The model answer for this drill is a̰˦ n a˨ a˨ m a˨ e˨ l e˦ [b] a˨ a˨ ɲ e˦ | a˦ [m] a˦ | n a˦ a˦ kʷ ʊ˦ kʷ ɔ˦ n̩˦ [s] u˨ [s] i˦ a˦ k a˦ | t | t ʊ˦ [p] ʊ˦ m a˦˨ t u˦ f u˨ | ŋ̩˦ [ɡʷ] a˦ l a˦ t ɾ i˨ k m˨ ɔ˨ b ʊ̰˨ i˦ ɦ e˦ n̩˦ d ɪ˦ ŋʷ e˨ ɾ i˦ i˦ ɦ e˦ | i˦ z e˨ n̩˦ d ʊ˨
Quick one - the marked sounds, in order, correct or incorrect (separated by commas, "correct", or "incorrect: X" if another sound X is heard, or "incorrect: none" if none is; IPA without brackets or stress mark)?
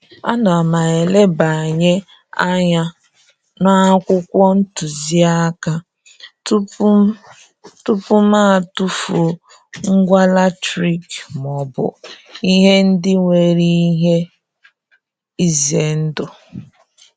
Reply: correct, incorrect: ɲ, incorrect: t, incorrect: z, correct, correct